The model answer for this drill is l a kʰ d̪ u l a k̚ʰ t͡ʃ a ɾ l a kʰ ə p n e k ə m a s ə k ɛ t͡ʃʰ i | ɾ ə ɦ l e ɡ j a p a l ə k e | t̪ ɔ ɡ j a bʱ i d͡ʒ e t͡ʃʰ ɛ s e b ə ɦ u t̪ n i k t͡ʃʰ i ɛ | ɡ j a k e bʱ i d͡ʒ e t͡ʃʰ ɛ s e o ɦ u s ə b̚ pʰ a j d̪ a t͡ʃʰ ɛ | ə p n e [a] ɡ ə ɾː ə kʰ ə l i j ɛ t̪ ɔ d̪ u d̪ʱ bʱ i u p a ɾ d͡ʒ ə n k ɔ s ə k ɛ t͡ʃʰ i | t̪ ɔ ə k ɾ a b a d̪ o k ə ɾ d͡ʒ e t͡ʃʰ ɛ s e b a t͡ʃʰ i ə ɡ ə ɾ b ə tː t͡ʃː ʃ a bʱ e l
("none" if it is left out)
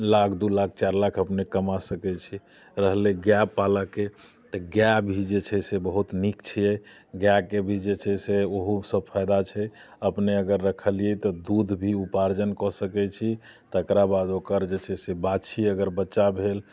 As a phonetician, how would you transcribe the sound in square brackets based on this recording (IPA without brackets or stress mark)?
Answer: ə